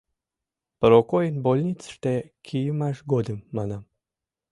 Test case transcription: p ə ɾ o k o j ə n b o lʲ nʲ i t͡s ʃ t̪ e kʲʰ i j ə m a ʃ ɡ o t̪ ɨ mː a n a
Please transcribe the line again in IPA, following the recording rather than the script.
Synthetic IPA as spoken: p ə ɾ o k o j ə n b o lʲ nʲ i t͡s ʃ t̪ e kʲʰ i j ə m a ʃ ɡ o d̪ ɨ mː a n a